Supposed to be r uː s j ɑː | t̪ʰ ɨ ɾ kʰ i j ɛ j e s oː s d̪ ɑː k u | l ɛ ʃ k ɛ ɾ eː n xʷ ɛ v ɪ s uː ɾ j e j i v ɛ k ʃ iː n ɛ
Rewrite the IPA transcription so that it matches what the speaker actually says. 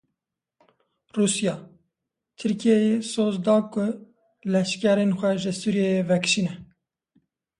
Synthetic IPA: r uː s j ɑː | t̪ʰ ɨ ɾ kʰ i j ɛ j e s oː z d̪ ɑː k ʊ | l ɛ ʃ k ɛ ɾ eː n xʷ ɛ ʒ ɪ s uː ɾ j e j e v ɛ k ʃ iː n ɛ